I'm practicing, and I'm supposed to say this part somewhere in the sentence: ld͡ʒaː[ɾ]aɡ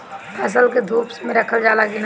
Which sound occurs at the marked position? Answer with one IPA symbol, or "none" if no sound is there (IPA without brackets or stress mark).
l